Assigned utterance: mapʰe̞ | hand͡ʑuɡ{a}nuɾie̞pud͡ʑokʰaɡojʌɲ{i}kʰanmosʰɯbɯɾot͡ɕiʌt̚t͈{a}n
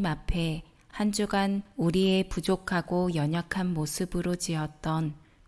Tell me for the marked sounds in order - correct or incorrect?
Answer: correct, incorrect: a, incorrect: ʌ

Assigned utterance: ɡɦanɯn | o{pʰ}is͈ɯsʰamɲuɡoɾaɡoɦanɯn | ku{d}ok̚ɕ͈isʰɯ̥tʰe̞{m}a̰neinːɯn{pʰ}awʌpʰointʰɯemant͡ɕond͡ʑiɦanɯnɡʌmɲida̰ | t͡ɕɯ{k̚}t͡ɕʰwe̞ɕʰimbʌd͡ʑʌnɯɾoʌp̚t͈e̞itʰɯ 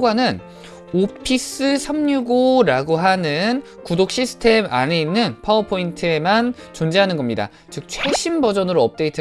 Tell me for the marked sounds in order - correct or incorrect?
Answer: correct, correct, correct, correct, correct

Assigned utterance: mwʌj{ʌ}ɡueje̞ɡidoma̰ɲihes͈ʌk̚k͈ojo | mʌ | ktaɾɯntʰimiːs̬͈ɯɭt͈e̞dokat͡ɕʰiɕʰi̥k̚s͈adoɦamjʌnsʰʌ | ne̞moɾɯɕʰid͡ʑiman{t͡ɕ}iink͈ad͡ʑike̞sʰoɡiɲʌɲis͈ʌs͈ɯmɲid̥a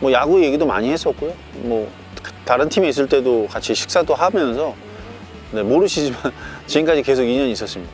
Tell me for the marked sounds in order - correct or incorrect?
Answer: incorrect: a, correct

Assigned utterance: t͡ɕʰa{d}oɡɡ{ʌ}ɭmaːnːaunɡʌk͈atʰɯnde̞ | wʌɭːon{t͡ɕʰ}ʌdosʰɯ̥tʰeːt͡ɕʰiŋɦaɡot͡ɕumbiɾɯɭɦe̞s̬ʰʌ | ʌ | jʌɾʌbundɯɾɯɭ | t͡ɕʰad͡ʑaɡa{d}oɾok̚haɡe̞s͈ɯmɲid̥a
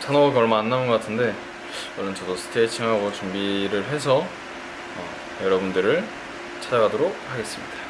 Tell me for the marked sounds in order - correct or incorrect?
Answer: incorrect: n, correct, incorrect: t͡ɕ, correct

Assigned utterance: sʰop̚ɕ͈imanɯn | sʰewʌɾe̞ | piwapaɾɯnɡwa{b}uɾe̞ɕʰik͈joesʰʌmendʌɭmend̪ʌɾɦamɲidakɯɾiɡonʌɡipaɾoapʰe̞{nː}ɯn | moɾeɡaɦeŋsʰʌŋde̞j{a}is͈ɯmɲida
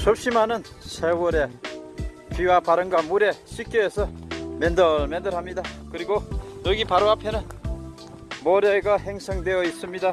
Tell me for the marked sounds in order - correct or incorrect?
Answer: incorrect: m, incorrect: n, incorrect: ʌ

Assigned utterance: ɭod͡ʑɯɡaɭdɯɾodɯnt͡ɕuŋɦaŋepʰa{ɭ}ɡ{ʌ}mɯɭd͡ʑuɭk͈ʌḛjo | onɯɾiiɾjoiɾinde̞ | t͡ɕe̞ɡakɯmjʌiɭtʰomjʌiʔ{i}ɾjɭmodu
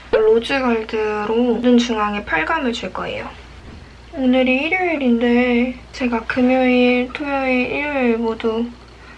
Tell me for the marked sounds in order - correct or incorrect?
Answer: correct, incorrect: a, correct

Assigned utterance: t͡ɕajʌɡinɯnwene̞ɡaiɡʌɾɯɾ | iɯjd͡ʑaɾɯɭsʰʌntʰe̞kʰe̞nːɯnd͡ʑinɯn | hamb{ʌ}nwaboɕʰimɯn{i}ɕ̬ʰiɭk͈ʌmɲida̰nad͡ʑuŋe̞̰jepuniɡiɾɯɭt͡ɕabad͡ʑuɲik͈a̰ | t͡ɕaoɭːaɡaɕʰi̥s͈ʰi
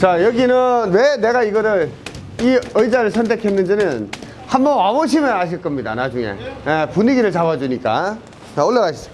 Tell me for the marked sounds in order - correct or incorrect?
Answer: correct, incorrect: a

